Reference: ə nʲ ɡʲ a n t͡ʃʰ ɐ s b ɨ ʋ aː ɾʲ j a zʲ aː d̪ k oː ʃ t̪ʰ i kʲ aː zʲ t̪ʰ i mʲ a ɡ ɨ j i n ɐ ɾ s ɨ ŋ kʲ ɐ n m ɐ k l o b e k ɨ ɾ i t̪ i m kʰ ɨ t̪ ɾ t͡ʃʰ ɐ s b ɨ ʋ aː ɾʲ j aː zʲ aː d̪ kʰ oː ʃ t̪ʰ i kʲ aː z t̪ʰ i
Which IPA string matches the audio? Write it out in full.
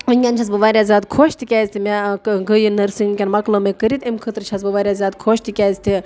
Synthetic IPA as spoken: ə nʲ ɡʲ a n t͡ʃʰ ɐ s b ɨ ʋ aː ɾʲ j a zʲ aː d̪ kʰ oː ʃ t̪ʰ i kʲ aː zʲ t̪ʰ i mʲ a ɡ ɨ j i n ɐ ɾ s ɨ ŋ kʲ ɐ n m ɐ k l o m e k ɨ ɾ i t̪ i m kʰ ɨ t̪ ɾ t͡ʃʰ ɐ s b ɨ ʋ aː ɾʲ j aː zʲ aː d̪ kʰ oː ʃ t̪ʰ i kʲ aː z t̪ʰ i